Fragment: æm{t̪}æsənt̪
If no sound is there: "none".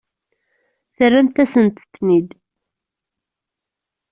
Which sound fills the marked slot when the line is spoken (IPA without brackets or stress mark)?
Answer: t̪